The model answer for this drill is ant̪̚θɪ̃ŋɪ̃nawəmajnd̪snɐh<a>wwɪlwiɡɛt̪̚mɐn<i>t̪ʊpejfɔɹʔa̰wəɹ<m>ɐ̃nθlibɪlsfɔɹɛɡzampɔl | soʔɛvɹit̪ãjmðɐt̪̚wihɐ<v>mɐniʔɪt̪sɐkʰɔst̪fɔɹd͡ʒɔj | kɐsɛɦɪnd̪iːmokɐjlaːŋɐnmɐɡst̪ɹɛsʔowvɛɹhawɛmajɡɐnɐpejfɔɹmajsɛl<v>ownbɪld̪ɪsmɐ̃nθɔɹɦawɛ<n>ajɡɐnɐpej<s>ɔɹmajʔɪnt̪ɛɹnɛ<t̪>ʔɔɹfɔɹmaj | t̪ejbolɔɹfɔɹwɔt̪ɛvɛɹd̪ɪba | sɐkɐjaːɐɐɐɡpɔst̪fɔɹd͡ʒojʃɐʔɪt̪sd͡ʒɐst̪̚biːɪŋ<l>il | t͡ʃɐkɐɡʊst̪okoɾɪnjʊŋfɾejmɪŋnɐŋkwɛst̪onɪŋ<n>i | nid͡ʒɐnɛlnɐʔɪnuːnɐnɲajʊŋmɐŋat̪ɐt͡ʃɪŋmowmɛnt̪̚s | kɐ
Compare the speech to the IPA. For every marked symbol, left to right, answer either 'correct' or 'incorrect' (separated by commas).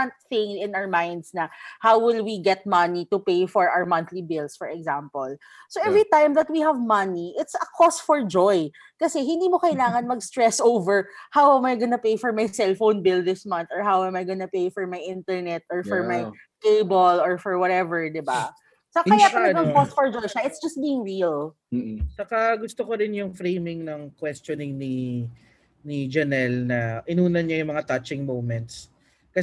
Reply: correct, correct, correct, correct, incorrect, incorrect, incorrect, correct, incorrect, correct